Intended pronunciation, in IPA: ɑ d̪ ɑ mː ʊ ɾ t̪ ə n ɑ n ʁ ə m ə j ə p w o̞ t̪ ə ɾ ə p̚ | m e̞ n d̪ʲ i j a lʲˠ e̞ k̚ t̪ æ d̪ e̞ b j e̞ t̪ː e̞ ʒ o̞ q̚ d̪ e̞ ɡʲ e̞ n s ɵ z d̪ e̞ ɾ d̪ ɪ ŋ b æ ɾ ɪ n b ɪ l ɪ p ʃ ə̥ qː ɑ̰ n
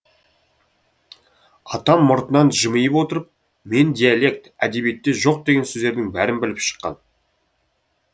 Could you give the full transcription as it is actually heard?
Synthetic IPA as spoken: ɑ t̪ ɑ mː ʊ ɾ t̪ ə n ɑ n ʒ ə m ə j ə p w o̞ t̪ ə ɾ ə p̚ | m e̞ n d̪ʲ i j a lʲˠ e̞ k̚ t̪ æ d̪ e̞ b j e̞ t̪ː e̞ ʒ o̞ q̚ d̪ e̞ ɡʲ e̞ n s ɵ z d̪ e̞ ɾ d̪ ɪ ŋ b æ ɾ ɪ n b ɪ l ɪ p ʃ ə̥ qː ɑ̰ n

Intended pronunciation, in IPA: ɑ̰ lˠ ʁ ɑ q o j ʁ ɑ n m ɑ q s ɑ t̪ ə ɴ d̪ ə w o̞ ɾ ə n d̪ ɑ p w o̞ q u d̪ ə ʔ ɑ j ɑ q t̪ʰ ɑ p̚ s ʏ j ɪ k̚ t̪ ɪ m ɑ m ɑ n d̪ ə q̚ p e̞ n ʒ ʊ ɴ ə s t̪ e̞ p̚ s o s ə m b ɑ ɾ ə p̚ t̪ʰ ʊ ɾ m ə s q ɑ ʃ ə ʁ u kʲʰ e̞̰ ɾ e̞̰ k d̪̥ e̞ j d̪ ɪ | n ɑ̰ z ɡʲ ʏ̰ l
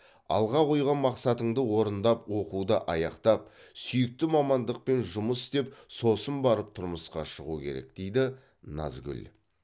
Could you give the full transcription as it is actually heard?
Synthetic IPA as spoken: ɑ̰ lˠ ʁ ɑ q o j ʁ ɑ n m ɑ q s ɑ t̪ ə ɴ d̪ ə w o̞ ɾ ə n d̪ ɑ p w o̞ q u d̪ ə ʔ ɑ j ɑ q t̪ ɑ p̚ s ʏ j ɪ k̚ t̪ ɪ m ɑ m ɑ n d̪ ə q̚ p e̞ n ʒ ʊ m ə s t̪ e̞ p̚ s o s ə m b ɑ ɾ ə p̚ t̪ʰ ʊ ɾ m ə s q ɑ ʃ ə ʁ u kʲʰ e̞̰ ɾ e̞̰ k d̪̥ e̞ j d̪ ɪ | n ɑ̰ z ɡʲ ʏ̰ l

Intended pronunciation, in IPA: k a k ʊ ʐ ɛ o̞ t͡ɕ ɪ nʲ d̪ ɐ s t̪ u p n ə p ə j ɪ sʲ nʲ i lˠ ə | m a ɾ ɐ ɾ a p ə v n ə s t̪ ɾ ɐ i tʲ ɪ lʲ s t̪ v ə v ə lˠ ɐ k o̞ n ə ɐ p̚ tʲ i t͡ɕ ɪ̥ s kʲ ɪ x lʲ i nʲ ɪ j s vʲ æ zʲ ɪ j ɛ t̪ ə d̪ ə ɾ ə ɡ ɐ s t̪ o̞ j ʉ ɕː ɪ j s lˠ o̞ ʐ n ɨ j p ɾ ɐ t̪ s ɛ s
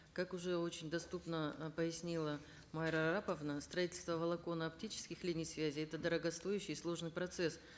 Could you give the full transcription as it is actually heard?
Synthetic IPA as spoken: k a k ʊ ʐ ɛ o̞ t͡ɕ ɪ nʲ d̪ ɐ s t̪ u p n ə p ə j ɪ sʲ nʲ i lˠ ə | m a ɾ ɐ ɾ a p ə v n ə s t̪ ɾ ɐ i tʲ ɪ lʲ s t̪ v ə v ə lˠ ɐ k o̞ n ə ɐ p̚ tʲ i t͡ɕ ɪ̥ s kʲ ɪ x lʲ i nʲ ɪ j s vʲ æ zʲ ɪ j ɛ t̪ ə d̪ ə ɾ ə ɡ ɐ s t̪ o̞ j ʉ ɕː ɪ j s lˠ o̞ ʐ n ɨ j p ɾ ɐ t̪ s ɛ s

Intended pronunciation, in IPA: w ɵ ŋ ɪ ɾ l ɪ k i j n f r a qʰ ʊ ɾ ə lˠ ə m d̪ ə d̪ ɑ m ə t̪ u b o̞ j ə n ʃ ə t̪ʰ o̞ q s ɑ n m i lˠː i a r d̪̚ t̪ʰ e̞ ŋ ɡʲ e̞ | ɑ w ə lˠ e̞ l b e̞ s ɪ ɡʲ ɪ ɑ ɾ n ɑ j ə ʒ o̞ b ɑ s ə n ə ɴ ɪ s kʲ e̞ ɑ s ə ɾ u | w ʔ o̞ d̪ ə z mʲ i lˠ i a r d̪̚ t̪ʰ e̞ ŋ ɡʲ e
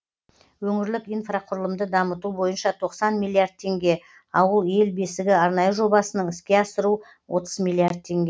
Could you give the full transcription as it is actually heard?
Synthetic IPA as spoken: w ɵ ŋ ɪ ɾ l ɪ k i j n f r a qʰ ʊ ɾ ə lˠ ə m d̪ ə d̪ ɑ m ə t̪ u b o̞ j ə n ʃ ɑ t̪ʰ o̞ q s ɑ n m i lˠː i a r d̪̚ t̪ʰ e̞ ŋ ɡʲ e̞ | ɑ w ə lˠ e̞ l b e̞ s ɪ ɡʲ ɪ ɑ ɾ n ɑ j ə ʒ o̞ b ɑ s ə n ə ɴ ɪ s kʲ e̞ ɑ s ə ɾ u | w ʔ o̞ t̪ ə z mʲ i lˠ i a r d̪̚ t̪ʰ e̞ ŋ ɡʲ e

